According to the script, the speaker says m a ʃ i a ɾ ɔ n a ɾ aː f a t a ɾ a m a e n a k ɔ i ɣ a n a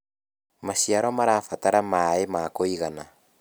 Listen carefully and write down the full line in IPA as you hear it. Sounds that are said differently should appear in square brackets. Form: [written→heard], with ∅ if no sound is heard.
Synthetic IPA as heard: m a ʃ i a ɾ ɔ [n→m] a ɾ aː f a t a ɾ a m a e [n→m] a k [ɔ→o] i ɣ a n a